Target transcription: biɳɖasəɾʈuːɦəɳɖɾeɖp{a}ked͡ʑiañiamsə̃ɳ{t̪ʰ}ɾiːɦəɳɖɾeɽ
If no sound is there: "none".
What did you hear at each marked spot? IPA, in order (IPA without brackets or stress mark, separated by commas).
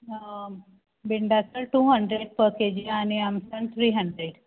ə, t̪ʰ